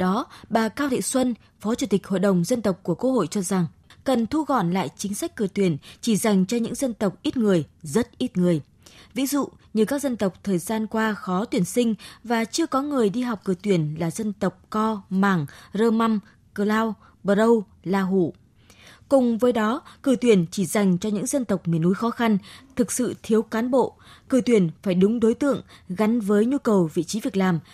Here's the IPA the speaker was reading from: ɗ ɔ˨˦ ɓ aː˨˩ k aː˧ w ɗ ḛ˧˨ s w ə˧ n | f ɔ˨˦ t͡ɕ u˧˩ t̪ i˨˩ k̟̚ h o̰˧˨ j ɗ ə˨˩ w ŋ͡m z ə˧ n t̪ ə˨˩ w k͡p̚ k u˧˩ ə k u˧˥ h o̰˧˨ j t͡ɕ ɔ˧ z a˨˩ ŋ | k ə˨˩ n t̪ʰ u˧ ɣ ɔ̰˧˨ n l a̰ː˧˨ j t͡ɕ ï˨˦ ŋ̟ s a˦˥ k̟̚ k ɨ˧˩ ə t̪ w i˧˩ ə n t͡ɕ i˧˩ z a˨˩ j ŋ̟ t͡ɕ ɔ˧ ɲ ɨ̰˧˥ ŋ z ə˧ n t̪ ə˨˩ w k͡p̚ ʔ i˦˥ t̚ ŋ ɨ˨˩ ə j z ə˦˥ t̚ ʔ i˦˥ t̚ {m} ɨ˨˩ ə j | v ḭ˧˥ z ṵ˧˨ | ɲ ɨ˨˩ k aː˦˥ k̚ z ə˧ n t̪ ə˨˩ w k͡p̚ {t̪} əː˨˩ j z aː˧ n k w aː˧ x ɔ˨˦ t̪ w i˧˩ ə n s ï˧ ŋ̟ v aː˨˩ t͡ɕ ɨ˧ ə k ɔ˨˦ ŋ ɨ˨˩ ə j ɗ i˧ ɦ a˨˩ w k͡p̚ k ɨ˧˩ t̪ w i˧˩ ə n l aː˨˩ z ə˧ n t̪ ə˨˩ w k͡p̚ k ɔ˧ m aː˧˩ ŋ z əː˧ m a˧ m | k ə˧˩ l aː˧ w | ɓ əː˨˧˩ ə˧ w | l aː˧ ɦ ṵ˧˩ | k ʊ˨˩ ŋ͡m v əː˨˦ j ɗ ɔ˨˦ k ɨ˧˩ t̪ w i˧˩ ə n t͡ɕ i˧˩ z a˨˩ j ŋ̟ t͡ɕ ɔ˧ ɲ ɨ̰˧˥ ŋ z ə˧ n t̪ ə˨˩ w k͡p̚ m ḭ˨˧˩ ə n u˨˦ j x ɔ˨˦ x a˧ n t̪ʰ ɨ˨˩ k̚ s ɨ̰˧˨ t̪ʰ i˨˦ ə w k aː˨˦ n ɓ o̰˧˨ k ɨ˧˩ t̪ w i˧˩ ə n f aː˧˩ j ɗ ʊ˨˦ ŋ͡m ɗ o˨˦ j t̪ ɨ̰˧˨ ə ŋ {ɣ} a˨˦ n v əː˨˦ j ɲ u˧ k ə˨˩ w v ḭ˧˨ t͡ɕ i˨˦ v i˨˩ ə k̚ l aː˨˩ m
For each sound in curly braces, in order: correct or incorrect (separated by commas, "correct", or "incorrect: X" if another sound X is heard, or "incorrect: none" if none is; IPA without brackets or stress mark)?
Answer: incorrect: ŋ, incorrect: t̪ʰ, correct